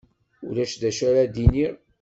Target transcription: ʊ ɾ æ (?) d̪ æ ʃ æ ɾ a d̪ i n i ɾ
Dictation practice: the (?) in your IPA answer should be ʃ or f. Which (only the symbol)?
ʃ